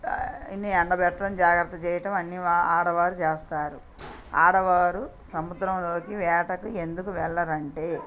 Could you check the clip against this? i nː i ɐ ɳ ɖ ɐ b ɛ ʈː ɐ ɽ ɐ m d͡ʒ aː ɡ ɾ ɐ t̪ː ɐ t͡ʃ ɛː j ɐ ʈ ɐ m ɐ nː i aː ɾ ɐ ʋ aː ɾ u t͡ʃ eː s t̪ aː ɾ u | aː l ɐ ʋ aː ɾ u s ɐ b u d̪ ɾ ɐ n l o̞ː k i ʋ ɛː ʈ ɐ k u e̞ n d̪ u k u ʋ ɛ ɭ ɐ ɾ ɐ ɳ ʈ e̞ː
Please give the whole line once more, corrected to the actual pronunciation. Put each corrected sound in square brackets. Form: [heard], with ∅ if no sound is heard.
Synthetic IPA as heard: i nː i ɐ ɳ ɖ ɐ b ɛ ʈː ɐ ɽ ɐ m d͡ʒ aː ɡ ɾ ɐ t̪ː ɐ t͡ʃ ɛː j ɐ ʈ ɐ m ɐ nː i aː [ɽ] ɐ ʋ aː ɾ u t͡ʃ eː s t̪ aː ɾ u | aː [ɽ] ɐ ʋ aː ɾ u s ɐ [m] u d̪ ɾ ɐ [m] l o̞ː k i ʋ ɛː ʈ ɐ k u e̞ n d̪ u k u ʋ ɛ [ɭː] ɐ ɾ ɐ ɳ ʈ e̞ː